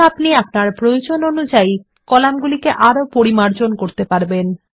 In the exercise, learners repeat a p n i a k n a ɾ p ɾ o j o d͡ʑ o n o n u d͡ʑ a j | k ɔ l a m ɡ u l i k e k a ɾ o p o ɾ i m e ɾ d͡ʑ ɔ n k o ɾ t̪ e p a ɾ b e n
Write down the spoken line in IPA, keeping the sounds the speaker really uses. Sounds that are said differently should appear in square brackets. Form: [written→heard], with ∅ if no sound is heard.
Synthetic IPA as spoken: a p n i a [k→p] n a ɾ p ɾ o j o d͡ʑ o n o n u d͡ʑ a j | k ɔ l a m ɡ u l i k e [k→ʔ] a ɾ o p o ɾ i m [e→a] ɾ d͡ʑ [ɔ→o] n k o ɾ t̪ e p a ɾ b e n